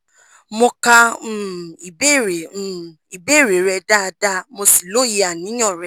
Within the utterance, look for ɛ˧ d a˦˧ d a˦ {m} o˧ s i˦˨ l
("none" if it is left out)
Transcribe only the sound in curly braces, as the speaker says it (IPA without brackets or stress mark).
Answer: m